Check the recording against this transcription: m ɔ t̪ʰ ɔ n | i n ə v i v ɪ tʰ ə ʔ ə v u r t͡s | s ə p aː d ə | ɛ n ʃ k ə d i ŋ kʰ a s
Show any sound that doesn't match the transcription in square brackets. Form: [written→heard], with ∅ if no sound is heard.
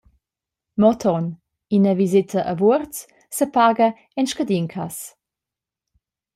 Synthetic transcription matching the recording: m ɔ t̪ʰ ɔ n | i n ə v i [v→z] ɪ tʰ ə ʔ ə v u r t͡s | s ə p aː [d→ɡ] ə | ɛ n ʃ k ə d i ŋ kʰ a s